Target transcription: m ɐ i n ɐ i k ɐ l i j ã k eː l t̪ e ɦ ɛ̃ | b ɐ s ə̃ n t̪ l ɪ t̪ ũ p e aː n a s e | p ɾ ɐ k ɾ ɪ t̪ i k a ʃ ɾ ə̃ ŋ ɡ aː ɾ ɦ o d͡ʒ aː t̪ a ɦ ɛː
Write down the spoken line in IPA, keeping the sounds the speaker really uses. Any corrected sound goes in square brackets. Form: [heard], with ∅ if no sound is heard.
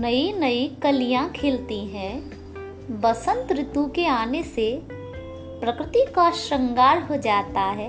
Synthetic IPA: [n] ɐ i n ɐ i k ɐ l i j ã [kʰ] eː l t̪ [i] ɦ ɛ̃ | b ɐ s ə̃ n t̪ [ɾ] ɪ t̪ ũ [k] e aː n [e] s e | p ɾ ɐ k ɾ ɪ t̪ i k a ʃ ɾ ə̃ ŋ ɡ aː ɾ ɦ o d͡ʒ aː t̪ a ɦ ɛː